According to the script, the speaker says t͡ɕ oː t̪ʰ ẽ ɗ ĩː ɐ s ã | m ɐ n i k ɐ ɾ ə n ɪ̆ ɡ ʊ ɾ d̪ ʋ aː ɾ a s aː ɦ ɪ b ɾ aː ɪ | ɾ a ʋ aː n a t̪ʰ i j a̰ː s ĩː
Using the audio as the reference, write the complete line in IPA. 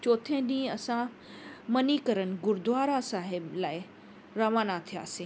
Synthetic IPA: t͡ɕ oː t̪ʰ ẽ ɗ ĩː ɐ s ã | m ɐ n i k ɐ ɾ ə n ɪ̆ ɡ ʊ ɾ d̪ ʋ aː ɾ a s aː ɦ ɪ b l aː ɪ | ɾ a ʋ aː n a t̪ʰ i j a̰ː s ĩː